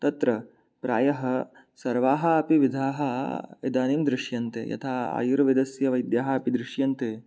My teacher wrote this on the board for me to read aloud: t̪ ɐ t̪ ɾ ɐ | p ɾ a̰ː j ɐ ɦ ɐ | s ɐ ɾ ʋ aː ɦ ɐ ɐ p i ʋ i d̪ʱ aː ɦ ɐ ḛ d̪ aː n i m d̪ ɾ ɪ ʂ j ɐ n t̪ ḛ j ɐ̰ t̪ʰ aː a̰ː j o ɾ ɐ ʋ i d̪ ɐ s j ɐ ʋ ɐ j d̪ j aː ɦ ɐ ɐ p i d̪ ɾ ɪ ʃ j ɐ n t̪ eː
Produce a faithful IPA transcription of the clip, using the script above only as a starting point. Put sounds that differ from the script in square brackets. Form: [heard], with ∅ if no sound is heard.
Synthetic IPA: t̪ ɐ t̪ ɾ ɐ | p ɾ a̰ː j ɐ ɦ ɐ | s ɐ ɾ ʋ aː ɦ ɐ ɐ p i ʋ i d̪ʱ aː ɦ ɐ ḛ d̪ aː n i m d̪ ɾ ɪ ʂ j ɐ n t̪ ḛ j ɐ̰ t̪ʰ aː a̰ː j [u] ɾ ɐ ʋ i d̪ ɐ s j ɐ ʋ ɐ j d̪ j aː ɦ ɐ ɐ p i d̪ ɾ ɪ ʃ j ɐ n t̪ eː